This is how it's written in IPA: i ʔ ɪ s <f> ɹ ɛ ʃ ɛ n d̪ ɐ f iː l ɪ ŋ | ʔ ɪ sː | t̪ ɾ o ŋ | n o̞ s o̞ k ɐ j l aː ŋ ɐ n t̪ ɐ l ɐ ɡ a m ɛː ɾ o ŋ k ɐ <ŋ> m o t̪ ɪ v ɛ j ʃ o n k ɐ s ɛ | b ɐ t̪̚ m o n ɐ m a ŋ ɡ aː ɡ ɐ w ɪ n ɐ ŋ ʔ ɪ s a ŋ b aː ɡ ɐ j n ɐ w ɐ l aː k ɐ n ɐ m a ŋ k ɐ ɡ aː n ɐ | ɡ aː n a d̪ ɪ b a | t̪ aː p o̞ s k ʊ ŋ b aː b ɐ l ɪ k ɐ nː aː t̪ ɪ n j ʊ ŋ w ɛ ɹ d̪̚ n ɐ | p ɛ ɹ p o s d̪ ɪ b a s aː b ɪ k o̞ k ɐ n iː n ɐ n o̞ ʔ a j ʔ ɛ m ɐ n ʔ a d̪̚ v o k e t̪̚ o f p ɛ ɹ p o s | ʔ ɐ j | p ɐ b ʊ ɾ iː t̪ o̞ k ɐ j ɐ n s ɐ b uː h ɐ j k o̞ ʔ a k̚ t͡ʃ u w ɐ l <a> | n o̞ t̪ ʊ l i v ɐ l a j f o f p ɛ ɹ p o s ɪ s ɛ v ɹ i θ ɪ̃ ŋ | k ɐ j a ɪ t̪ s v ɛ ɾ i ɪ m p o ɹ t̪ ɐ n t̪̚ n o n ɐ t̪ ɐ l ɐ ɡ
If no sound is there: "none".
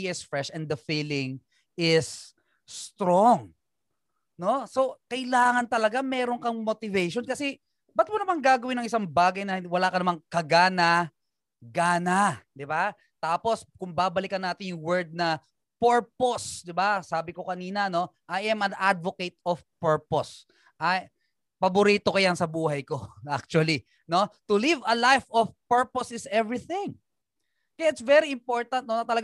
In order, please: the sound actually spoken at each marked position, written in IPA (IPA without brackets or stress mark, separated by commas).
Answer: f, ŋ, i